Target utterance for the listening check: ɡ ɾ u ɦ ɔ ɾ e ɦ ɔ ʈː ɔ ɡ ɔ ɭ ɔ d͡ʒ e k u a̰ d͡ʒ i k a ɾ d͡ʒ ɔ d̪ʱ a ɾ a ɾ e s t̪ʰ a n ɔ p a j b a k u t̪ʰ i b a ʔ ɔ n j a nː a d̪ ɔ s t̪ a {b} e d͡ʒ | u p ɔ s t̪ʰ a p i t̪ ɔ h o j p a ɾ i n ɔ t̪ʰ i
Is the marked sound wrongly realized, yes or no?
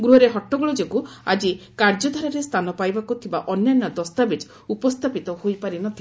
no